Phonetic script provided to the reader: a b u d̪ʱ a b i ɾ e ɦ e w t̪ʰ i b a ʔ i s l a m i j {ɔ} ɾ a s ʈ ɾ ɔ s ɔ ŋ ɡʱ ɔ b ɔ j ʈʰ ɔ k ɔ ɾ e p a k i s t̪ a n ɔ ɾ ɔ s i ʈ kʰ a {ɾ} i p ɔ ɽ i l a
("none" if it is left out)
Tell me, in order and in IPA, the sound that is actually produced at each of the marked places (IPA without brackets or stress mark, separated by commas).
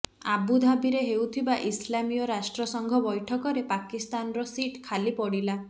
ɔ, l